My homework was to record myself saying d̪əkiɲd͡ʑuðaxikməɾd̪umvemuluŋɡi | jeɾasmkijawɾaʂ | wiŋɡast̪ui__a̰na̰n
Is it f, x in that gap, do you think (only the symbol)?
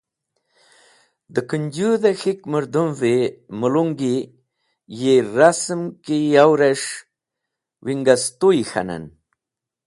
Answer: x